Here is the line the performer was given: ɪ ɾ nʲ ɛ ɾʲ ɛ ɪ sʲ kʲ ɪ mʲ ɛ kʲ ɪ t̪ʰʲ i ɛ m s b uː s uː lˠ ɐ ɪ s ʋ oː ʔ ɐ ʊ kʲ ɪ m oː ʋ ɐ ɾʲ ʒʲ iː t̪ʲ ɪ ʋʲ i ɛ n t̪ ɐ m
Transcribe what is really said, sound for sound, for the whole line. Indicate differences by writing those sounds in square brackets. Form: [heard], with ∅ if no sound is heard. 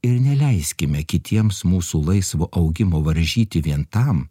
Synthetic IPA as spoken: ɪ ɾ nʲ ɛ [lʲ] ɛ ɪ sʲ kʲ ɪ mʲ ɛ kʲ ɪ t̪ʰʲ i ɛ m s [m] uː s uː lˠ ɐ ɪ s ʋ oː ʔ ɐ ʊ [ɡʲ] ɪ m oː ʋ ɐ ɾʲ ʒʲ iː t̪ʲ ɪ ʋʲ i ɛ n t̪ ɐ m